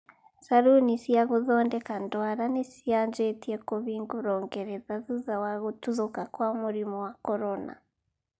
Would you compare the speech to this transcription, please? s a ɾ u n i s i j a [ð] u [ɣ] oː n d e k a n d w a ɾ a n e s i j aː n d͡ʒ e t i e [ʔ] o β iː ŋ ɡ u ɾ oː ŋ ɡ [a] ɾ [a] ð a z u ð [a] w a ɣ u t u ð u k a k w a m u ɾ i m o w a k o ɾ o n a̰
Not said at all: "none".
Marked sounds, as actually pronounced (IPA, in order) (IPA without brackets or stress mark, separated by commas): ɣ, ð, k, e, e, a